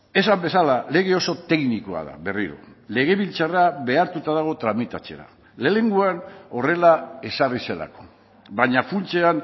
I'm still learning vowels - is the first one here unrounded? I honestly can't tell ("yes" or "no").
yes